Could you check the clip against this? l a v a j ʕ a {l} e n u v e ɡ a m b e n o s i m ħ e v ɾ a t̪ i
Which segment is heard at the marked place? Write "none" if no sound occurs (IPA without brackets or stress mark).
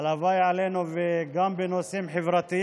l